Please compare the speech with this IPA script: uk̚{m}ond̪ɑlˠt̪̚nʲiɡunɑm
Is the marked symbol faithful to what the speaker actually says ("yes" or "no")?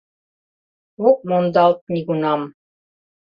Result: yes